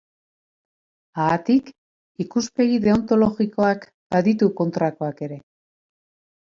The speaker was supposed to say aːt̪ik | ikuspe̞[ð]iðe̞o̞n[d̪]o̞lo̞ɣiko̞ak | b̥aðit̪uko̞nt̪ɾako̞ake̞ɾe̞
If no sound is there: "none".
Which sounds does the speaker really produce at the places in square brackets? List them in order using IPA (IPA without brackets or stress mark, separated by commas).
ɣ, t̪